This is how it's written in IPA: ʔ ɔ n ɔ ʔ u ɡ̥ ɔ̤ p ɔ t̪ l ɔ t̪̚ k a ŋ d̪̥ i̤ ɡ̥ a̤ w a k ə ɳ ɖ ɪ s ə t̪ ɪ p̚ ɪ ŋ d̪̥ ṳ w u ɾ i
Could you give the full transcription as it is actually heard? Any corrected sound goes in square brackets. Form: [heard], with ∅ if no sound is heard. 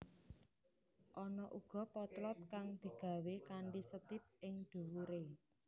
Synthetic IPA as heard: ʔ ɔ n ɔ ʔ u ɡ̥ ɔ̤ p ɔ t̪ l ɔ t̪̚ k a ŋ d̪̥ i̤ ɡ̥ a̤ w [e] k [a] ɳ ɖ [i] s ə t̪ ɪ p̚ ɪ ŋ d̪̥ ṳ w u ɾ [e]

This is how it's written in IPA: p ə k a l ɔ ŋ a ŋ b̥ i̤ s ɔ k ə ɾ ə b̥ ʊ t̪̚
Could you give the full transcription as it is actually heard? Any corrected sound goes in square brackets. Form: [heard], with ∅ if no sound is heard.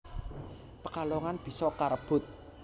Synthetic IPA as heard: p ə k a l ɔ ŋ a [n] b̥ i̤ s ɔ k [a] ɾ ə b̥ ʊ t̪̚

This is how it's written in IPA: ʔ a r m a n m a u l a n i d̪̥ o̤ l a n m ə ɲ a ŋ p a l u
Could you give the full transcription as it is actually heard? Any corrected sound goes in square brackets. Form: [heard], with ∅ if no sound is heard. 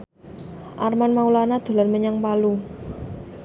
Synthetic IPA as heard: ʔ a r m a n m a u l a n [a] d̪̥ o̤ l a n m ə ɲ a ŋ p a l u

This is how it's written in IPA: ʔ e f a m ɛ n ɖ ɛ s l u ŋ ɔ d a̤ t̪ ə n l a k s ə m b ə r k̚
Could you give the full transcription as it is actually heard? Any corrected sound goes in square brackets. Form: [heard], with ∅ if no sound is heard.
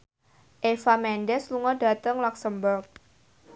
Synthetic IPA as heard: ʔ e f a m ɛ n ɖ ɛ s l u ŋ ɔ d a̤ t̪ ə [ŋ] l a k s ə m b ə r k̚

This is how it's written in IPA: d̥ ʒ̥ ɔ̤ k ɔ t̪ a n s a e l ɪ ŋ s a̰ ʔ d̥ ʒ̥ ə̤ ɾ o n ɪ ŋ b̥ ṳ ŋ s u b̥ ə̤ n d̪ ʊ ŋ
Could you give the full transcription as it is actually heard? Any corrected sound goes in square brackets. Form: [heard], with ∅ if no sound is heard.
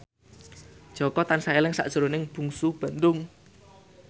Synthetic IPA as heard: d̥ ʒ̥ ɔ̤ k ɔ t̪ a n s a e l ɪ ŋ s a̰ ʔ d̥ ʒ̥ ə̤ ɾ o n ɪ ŋ b̥ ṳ ŋ s u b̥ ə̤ n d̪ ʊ ŋ

